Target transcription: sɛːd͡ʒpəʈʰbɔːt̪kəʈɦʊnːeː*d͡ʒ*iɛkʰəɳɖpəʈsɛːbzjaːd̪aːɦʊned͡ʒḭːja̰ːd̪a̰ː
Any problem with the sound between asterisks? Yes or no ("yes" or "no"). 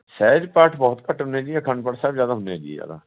no